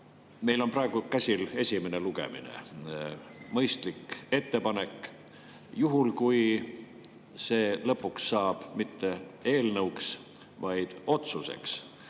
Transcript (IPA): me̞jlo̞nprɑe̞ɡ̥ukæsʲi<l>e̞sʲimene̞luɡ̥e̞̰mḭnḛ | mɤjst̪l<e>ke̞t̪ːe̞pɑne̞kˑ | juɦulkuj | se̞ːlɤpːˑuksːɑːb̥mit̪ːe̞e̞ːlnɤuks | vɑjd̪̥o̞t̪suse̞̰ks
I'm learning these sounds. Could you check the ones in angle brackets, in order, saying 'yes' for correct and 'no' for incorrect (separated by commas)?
yes, no